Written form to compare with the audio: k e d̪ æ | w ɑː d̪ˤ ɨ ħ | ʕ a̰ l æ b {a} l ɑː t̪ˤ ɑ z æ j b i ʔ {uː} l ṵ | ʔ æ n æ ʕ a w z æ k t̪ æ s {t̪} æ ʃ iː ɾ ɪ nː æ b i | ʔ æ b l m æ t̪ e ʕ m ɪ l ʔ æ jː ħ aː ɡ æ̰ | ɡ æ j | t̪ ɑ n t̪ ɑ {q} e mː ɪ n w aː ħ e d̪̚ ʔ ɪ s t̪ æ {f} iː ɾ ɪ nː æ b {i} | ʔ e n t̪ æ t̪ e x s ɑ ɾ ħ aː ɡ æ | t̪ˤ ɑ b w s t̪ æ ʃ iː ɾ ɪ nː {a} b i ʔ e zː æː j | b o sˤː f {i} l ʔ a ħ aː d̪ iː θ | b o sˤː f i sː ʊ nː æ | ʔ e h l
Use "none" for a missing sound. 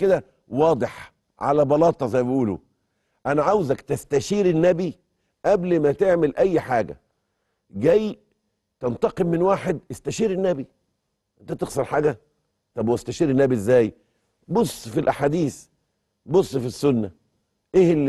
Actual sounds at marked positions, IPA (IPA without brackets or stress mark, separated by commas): ɑ, uː, t̪, q, ʃ, i, æ, i